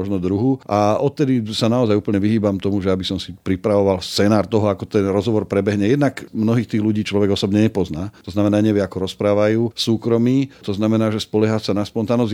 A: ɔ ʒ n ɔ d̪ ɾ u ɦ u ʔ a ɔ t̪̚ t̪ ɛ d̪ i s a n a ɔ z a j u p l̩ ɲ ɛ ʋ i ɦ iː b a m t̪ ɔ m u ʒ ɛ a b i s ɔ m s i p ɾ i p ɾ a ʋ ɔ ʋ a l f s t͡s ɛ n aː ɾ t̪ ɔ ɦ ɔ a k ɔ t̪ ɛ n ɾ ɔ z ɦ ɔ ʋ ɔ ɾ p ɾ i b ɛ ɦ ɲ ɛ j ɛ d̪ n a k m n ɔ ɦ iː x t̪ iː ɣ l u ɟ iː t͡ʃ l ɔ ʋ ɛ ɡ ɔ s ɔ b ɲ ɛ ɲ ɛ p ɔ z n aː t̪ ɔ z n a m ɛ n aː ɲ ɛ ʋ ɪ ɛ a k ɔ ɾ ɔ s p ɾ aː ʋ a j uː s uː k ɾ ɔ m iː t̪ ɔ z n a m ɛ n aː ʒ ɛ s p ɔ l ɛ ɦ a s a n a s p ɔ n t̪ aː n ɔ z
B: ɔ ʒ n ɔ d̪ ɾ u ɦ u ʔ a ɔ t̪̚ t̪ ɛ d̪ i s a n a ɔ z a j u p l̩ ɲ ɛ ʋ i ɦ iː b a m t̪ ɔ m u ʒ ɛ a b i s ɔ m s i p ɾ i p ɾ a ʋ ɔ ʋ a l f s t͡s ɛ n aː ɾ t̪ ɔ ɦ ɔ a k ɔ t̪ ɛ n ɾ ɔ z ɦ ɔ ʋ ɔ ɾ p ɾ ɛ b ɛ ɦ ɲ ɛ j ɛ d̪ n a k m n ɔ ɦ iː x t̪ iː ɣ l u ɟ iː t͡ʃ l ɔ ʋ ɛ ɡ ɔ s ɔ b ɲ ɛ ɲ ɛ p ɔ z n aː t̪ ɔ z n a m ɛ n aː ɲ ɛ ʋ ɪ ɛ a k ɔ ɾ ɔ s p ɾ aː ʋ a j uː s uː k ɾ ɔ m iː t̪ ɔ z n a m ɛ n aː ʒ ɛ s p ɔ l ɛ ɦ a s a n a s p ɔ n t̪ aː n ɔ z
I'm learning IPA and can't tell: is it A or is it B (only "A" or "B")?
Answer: B